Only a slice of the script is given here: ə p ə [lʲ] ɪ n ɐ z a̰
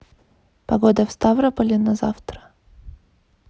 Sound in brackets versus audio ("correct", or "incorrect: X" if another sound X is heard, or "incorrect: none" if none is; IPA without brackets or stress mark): correct